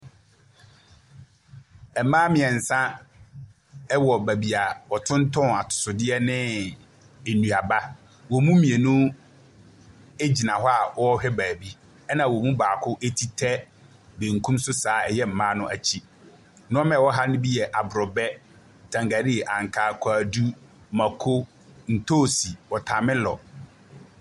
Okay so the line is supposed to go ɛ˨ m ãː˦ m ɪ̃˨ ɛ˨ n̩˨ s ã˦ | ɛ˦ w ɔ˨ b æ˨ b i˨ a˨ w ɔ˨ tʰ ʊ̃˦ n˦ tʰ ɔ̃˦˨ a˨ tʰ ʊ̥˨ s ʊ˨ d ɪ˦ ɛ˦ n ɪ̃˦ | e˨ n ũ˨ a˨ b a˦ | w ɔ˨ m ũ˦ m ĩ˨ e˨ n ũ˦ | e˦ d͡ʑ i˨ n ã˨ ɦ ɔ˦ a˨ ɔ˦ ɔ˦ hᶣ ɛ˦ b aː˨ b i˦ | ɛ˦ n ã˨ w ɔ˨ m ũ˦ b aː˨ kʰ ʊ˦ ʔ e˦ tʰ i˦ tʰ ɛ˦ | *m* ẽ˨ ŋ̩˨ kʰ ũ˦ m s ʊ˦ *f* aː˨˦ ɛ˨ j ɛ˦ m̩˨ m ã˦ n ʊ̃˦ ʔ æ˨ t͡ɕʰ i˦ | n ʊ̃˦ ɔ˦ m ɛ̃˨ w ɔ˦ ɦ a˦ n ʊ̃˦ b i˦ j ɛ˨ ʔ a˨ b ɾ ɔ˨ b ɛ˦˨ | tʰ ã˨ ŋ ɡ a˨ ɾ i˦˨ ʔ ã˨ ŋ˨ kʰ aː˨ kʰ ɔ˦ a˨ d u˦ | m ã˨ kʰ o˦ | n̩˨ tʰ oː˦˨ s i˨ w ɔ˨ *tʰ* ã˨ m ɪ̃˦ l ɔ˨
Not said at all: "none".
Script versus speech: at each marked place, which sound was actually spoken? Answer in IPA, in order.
b, s, tʰ

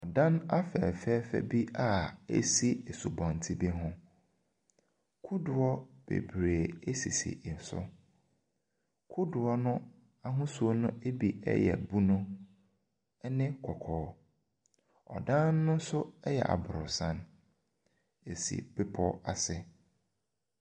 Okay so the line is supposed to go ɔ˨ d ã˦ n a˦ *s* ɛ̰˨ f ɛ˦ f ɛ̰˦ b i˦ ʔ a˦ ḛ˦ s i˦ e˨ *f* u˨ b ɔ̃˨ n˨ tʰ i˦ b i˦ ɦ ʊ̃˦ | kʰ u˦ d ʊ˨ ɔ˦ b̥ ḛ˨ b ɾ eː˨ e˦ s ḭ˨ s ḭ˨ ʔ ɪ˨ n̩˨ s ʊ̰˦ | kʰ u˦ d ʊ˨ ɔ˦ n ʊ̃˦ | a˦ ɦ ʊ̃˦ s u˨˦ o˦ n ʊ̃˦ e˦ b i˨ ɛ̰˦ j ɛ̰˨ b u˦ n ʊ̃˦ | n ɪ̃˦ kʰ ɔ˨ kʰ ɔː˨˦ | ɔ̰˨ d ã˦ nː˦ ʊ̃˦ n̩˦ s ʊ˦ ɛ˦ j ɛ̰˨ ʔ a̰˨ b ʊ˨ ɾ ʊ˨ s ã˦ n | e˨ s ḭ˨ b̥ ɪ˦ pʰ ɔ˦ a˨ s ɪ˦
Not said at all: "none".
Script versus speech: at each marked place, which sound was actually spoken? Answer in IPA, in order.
f, s

